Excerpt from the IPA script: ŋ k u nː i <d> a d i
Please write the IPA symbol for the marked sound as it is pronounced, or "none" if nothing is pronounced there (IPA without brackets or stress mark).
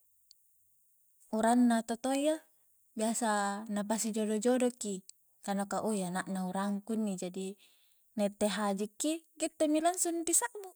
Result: d͡ʒ